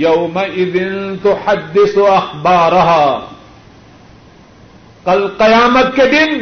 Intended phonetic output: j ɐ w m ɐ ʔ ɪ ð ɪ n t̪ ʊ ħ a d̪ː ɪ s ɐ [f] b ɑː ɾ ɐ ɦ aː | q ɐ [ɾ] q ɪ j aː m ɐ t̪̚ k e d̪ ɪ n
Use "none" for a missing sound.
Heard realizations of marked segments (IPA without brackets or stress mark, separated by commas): x, l